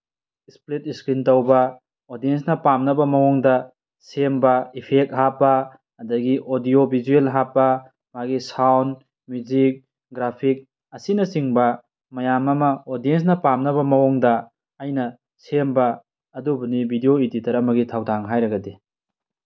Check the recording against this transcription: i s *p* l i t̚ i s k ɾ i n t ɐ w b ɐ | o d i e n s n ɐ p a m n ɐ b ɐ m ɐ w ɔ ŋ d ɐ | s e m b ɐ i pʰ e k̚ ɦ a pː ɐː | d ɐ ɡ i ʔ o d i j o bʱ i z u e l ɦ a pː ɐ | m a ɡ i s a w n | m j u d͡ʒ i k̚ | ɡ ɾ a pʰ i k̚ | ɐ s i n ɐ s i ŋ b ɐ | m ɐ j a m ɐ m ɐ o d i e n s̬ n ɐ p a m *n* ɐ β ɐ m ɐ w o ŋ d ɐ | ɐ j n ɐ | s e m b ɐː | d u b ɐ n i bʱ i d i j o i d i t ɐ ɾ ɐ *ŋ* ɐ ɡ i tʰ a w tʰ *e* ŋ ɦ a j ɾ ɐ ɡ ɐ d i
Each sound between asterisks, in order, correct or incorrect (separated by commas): correct, correct, incorrect, incorrect